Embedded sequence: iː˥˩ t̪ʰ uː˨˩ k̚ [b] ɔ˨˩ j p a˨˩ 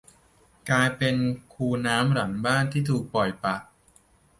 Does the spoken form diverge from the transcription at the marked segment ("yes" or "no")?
yes